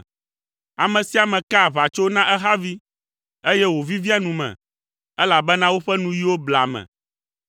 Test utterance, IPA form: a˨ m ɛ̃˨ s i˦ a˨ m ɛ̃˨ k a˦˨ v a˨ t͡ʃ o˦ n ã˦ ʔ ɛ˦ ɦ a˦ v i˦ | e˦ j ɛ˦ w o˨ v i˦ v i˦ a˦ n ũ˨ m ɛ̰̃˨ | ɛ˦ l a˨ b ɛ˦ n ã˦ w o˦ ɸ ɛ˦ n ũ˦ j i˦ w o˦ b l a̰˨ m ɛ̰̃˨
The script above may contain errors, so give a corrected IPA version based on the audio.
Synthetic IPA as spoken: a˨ m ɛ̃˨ s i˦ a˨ m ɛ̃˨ k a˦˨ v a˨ t͡ʃ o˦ n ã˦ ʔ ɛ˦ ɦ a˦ v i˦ | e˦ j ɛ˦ w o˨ v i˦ v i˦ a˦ n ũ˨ m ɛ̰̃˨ | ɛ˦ l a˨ b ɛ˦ n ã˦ w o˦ ɸ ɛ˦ n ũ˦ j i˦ w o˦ b l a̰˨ m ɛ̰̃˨